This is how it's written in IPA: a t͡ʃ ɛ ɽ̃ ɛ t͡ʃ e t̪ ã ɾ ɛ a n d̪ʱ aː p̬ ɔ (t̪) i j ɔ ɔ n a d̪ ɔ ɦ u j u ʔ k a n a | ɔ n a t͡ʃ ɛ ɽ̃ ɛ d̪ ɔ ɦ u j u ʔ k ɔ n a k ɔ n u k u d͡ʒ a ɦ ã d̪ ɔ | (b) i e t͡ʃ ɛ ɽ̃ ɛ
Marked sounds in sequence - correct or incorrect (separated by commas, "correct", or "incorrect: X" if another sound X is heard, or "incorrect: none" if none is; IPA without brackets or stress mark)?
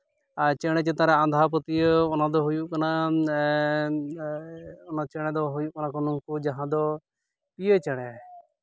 correct, incorrect: p